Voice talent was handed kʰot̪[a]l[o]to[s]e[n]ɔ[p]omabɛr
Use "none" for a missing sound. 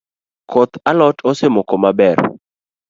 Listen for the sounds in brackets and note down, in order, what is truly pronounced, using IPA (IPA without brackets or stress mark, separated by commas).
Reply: a, ɔ, s, m, k